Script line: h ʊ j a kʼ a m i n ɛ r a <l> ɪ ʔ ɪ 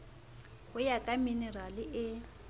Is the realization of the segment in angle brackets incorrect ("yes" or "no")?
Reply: no